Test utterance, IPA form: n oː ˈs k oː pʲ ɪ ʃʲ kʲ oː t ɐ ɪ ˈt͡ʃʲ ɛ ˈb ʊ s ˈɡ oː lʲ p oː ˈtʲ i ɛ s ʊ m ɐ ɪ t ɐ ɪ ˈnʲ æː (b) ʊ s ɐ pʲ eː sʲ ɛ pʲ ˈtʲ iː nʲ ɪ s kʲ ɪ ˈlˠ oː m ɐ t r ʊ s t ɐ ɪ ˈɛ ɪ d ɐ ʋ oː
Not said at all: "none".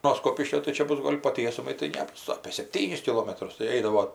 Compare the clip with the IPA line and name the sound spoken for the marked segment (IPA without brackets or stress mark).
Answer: b